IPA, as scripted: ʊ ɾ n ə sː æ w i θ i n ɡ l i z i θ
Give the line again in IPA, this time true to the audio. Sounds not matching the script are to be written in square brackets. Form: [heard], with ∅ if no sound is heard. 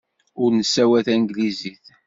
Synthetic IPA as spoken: ʊ ɾ n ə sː æ w [æ] θ [æ] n ɡ l i z i θ

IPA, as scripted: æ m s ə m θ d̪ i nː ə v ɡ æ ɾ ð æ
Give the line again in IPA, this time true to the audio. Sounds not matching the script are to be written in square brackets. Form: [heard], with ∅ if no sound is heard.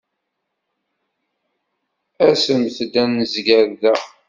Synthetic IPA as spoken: æ [∅] s ə m θ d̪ [æ] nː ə [z] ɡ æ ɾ ð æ

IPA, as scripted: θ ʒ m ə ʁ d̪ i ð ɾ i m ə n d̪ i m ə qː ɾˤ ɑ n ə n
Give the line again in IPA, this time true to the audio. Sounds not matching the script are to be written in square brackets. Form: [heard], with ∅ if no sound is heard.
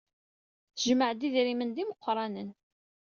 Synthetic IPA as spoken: θ ʒ m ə [ʕ] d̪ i ð ɾ i m ə n d̪ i m ə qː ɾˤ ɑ n ə n

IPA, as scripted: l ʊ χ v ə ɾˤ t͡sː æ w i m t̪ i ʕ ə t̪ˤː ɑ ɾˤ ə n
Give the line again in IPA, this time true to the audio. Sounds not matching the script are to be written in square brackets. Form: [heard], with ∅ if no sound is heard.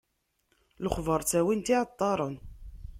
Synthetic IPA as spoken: l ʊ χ v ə ɾˤ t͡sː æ w i [n] t̪ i ʕ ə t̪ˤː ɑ ɾˤ ə n

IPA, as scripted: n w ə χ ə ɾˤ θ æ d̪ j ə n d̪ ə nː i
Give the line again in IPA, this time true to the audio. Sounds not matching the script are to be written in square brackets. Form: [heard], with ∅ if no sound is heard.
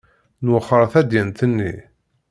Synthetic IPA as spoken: n w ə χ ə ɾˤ θ æ d̪ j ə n [t̪] ə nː i

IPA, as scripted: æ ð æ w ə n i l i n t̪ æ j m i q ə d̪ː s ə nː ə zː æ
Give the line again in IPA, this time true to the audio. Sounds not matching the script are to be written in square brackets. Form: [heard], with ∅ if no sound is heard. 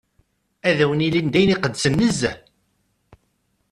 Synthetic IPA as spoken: æ ð æ w ə n i l i n [d̪] æ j [n] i q ə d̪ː s ə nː ə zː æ

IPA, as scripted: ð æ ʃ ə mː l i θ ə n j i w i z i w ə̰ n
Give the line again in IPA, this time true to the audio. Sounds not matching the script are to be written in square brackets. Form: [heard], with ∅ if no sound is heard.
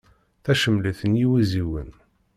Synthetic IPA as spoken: [θ] æ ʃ ə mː l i θ ə n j i w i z i w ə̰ n

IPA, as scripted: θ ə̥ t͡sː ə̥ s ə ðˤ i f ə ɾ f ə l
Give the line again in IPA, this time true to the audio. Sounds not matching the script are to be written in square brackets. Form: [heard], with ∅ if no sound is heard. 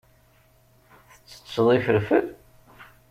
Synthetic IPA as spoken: θ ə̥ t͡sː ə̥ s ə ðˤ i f ə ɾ f ə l

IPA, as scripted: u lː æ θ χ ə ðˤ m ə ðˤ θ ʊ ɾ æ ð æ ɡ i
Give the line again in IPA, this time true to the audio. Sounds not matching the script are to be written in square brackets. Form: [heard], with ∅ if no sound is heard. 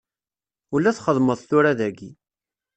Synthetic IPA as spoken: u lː æ θ χ ə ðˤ m ə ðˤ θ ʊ ɾ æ ð æ ɡ i

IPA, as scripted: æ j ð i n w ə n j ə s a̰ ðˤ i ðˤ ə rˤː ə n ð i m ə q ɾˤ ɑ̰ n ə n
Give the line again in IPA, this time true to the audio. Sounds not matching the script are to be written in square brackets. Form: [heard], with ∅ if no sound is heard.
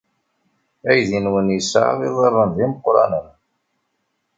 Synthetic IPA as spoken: æ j ð i n w ə n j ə s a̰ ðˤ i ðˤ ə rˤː ə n ð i m ə q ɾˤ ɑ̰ n ə n

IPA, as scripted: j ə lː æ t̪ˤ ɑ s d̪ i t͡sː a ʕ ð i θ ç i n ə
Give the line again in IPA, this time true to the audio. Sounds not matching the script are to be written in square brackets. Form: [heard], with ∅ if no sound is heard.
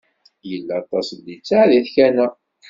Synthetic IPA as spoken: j ə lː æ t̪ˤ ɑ s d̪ i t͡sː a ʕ ð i θ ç [æ] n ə

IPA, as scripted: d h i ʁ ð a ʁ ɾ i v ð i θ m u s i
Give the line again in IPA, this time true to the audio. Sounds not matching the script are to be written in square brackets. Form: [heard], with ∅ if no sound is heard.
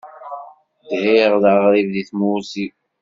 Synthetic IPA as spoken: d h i ʁ ð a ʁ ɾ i v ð i θ m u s i

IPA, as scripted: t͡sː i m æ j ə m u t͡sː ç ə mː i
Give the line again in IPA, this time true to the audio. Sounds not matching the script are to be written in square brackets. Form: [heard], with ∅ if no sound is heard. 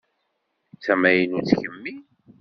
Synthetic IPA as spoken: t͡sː [æ] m æ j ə [n] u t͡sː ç ə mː i

